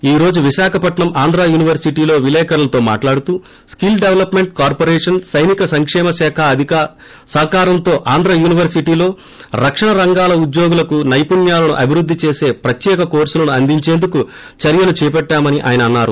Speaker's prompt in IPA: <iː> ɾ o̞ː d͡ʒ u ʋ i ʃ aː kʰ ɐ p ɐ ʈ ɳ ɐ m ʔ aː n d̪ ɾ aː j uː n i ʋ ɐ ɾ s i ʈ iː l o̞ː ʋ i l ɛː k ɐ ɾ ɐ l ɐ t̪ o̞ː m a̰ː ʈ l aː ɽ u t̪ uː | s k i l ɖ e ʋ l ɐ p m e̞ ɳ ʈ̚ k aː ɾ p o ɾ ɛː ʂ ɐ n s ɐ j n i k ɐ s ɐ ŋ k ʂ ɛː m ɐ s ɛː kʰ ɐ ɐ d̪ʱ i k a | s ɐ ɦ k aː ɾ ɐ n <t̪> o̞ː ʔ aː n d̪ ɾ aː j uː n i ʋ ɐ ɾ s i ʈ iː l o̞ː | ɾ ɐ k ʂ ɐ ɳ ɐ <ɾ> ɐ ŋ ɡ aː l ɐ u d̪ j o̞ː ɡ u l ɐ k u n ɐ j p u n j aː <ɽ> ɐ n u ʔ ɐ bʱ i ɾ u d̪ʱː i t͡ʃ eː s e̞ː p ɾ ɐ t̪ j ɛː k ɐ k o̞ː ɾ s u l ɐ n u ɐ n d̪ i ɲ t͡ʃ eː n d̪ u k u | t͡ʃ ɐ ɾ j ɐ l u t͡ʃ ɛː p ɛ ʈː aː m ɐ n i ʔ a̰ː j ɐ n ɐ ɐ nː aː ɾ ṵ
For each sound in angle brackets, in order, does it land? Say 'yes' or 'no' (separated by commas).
yes, yes, yes, no